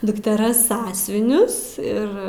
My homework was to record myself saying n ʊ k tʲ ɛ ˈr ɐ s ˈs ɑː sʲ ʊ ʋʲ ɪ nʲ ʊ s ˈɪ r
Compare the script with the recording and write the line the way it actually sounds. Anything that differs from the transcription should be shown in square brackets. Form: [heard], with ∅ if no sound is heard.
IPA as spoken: [d] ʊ k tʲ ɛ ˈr ɐ s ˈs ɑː sʲ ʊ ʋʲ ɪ nʲ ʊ s ˈɪ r

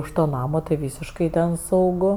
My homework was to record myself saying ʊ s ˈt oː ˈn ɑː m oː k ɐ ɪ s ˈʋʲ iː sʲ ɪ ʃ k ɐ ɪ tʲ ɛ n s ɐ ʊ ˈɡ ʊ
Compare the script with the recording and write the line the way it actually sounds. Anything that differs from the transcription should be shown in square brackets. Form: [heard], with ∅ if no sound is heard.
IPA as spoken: ʊ [ʃ] ˈt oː ˈn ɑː m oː [t] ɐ ɪ [∅] ˈʋʲ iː sʲ ɪ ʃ k ɐ ɪ tʲ ɛ n s ɐ ʊ ˈɡ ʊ

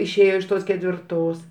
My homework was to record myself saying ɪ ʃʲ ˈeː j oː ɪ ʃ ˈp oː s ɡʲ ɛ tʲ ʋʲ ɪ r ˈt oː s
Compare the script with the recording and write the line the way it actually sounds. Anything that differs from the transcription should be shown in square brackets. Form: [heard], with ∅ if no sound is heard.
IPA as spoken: ɪ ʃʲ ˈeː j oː ɪ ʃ [ˈt] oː s [kʲ] ɛ tʲ ʋʲ ɪ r ˈt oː s

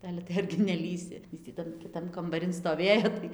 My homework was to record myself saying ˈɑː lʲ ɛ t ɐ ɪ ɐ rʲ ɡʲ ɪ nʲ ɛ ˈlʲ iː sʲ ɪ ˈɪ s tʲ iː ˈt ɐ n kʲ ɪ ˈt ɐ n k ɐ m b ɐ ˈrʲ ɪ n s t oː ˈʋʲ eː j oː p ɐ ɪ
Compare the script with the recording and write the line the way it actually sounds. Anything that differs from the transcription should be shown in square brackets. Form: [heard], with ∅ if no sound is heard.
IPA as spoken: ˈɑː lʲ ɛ t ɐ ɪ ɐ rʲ ɡʲ ɪ nʲ ɛ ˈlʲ iː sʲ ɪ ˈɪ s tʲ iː ˈt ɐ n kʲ ɪ ˈt ɐ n k ɐ m b ɐ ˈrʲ ɪ n s t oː ˈʋʲ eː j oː [t] ɐ ɪ

